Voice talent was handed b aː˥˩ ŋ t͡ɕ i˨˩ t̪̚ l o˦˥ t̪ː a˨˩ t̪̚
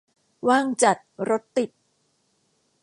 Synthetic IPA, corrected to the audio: w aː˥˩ ŋ t͡ɕ a˨˩ t̪̚ ɾ o˦˥ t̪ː i˨˩ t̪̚